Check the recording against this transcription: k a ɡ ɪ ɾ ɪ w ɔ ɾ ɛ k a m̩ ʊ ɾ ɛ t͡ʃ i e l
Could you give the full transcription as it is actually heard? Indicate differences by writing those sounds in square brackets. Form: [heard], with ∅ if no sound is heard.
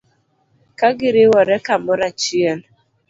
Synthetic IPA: k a ɡ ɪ ɾ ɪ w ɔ ɾ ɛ k a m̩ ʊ ɾ [a] t͡ʃ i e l